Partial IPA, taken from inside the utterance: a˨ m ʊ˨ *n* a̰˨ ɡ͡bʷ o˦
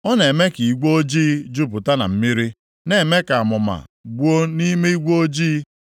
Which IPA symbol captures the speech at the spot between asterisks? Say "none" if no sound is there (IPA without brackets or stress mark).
m